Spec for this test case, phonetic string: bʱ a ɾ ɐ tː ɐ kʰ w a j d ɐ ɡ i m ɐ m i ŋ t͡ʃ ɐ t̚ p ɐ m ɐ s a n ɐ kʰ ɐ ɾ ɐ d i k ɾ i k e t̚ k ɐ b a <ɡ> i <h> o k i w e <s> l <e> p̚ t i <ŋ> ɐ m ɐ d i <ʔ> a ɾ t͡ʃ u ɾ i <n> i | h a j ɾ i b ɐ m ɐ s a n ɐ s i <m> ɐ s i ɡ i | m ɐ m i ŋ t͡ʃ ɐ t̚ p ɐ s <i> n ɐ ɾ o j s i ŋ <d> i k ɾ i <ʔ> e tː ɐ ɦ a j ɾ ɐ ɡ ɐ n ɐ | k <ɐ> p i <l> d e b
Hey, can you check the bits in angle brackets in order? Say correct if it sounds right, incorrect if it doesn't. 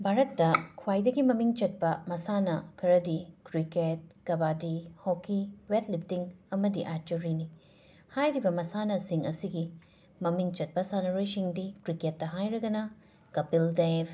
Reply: incorrect: d, correct, incorrect: t, incorrect: i, correct, correct, correct, incorrect: ŋ, incorrect: a, correct, incorrect: k, correct, correct

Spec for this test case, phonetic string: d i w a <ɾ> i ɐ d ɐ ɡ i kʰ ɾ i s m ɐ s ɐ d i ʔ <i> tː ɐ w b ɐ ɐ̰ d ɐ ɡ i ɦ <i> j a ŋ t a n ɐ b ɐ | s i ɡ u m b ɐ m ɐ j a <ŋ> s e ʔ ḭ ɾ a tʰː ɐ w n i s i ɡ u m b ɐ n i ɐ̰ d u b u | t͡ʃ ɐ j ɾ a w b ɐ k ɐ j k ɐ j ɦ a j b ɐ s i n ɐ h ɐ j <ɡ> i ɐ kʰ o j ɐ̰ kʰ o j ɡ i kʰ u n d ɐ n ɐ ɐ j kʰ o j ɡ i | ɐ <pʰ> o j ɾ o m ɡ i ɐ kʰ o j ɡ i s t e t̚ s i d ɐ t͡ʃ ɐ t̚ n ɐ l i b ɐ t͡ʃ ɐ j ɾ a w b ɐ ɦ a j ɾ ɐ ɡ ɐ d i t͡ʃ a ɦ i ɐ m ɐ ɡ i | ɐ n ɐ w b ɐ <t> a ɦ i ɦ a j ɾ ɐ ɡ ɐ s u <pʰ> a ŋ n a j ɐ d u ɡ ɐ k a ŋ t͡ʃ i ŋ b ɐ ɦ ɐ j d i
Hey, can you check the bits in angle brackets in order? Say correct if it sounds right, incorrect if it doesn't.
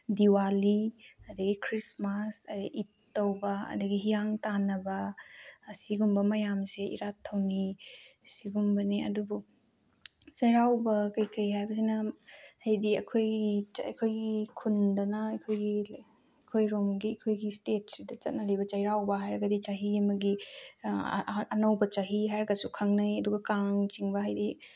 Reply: incorrect: l, correct, correct, incorrect: m, incorrect: d, incorrect: kʰ, incorrect: t͡ʃ, incorrect: kʰ

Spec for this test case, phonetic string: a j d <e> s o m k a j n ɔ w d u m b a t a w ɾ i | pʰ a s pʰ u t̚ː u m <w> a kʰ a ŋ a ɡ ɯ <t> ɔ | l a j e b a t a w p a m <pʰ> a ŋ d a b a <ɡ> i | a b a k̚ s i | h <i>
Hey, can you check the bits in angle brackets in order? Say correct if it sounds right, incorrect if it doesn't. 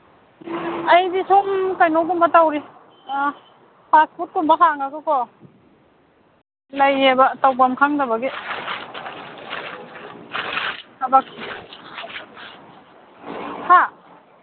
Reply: incorrect: i, incorrect: b, incorrect: k, incorrect: kʰ, correct, incorrect: a

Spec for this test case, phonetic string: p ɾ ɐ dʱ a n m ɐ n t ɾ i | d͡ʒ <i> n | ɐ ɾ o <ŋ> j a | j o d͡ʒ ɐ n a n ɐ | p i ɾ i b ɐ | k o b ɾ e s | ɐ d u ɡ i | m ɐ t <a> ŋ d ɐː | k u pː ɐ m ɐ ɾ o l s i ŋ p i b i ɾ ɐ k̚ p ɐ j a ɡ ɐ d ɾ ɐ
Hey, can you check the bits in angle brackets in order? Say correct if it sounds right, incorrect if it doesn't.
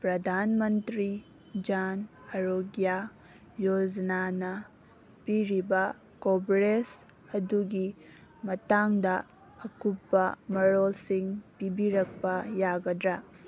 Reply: incorrect: a, incorrect: ɡ, correct

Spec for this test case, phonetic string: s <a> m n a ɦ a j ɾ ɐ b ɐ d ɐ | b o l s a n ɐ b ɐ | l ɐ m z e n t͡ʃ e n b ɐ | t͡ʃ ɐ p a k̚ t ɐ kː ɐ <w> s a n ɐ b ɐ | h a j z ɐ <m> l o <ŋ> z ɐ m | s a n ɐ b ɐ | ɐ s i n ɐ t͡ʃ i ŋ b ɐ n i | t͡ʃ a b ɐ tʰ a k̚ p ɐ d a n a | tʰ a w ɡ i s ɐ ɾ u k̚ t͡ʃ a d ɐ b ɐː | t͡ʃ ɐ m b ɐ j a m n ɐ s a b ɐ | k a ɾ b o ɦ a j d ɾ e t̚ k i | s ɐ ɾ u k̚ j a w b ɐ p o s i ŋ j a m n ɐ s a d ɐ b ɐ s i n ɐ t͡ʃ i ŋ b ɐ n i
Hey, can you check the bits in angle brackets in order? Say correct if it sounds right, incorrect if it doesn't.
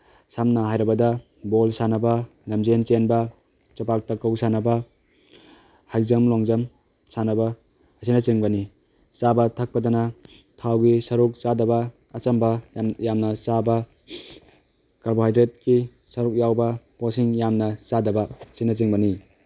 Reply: correct, correct, correct, correct

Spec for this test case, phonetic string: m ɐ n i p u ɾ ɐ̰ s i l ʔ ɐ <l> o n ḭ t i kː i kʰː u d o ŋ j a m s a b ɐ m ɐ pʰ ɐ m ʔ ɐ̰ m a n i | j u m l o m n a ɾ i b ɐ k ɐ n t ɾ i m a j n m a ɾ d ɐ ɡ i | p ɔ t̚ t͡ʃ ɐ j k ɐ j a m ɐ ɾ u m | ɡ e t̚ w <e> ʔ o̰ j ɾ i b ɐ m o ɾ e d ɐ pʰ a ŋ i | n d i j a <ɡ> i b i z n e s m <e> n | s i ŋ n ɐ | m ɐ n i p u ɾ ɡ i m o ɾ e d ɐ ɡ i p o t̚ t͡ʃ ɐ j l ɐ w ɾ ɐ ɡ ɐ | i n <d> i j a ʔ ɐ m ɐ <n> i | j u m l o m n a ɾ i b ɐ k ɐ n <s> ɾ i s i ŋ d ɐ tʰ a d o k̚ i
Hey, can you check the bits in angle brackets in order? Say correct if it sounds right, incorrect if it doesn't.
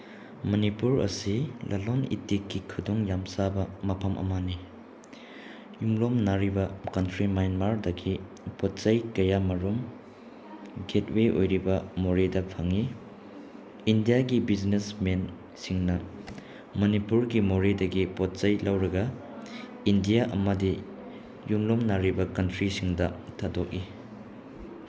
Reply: correct, correct, correct, correct, correct, incorrect: d, incorrect: t

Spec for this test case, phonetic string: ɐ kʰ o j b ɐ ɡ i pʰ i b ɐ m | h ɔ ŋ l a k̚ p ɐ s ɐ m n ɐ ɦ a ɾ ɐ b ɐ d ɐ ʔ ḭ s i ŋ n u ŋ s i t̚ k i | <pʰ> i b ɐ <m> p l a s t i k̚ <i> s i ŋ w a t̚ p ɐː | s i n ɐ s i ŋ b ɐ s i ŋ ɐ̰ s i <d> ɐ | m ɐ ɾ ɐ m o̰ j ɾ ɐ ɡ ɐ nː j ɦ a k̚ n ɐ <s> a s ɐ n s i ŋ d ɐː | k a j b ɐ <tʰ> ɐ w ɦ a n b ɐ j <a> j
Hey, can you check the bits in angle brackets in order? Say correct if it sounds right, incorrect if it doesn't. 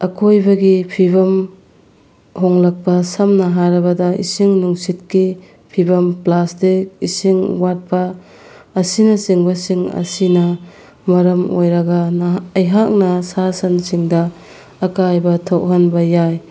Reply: correct, correct, correct, incorrect: n, correct, correct, correct

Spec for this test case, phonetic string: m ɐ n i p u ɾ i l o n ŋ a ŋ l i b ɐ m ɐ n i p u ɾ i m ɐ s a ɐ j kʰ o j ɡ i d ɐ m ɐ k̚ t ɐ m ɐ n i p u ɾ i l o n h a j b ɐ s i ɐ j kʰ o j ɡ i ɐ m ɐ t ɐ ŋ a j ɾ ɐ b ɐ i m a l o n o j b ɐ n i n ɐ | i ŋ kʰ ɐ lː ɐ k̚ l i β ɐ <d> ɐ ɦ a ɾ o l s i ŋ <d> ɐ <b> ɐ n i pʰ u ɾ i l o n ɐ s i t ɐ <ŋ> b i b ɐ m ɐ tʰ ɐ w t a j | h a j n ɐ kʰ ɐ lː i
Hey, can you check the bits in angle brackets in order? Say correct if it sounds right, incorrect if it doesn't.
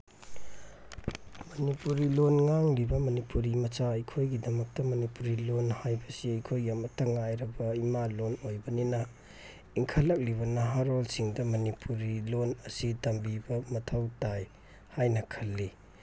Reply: incorrect: n, correct, incorrect: m, incorrect: m

